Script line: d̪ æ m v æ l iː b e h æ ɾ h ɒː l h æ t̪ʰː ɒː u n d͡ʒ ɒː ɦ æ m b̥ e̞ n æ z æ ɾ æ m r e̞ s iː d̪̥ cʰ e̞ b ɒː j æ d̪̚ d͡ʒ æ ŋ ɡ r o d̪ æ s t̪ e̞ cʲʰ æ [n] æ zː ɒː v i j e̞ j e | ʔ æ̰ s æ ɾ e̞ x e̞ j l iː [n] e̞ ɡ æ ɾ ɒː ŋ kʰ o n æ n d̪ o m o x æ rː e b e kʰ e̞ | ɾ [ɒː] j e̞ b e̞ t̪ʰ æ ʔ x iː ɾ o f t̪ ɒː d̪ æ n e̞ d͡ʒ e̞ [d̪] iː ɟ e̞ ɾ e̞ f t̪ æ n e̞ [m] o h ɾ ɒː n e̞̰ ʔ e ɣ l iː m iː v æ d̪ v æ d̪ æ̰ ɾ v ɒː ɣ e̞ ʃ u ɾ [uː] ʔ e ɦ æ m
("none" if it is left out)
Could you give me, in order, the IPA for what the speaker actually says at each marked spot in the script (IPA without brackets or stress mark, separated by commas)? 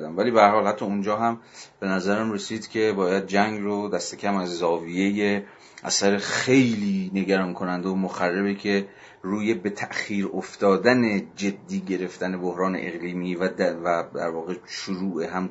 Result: m, n, uː, d̪ː, b, uː